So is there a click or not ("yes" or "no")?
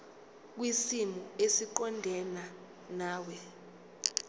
yes